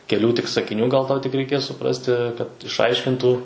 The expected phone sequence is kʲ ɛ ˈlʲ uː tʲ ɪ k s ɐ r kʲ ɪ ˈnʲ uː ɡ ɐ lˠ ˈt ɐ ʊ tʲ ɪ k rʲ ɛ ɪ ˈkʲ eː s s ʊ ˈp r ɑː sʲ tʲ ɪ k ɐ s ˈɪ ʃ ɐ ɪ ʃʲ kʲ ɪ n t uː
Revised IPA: kʲ ɛ ˈlʲ uː tʲ ɪ k s ɐ kʲ ɪ ˈnʲ uː ɡ ɐ lˠ ˈt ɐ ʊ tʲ ɪ k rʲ ɛ ɪ ˈkʲ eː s s ʊ ˈp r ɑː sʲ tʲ ɪ k ɐ t ˈɪ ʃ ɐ ɪ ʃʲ kʲ ɪ n t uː